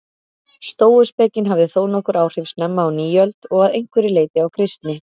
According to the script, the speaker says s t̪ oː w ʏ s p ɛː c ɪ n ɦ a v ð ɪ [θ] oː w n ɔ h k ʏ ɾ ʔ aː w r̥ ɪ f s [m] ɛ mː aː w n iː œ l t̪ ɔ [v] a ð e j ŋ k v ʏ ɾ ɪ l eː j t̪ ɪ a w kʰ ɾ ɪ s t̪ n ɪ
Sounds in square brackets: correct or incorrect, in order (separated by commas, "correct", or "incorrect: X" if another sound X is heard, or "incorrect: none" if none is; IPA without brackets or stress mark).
correct, incorrect: n, incorrect: ɣ